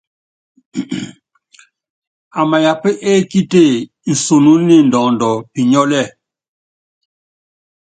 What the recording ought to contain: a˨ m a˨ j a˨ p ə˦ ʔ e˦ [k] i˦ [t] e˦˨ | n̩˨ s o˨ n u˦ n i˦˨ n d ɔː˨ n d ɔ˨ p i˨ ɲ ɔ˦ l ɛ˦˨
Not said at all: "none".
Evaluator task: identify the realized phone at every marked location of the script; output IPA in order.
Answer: k, t

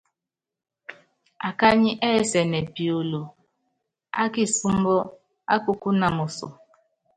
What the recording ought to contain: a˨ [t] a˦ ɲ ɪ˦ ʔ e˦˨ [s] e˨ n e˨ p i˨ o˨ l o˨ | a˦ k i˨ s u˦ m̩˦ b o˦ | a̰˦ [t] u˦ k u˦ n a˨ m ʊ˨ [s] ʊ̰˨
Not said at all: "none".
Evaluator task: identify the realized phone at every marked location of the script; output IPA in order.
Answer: k, s, k, s

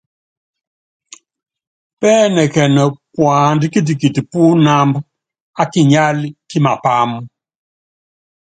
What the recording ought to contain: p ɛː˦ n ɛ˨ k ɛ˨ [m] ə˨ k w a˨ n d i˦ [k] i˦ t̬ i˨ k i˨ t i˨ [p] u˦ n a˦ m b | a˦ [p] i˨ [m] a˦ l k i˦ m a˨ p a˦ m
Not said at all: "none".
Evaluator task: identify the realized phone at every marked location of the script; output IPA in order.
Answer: n, k, p, k, ɲ

